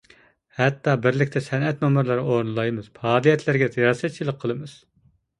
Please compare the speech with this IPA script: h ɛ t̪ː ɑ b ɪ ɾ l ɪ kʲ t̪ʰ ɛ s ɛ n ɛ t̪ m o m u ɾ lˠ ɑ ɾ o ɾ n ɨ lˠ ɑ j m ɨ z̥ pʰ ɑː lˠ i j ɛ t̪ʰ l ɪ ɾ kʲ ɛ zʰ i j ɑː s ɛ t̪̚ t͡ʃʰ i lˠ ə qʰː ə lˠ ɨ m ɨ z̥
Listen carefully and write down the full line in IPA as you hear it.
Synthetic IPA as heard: h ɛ t̪ː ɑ b ɪ ɾ l ɪ kʲ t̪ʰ ɛ s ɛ n ɛ t̪ m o m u ɾ lˠ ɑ ɾ o ɾ n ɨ lˠ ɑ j m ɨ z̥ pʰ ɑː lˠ i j ɛ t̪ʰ l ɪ ɾ ɡʲ ɛ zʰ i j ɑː s ɛ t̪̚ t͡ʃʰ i lˠ ə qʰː ə lˠ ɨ m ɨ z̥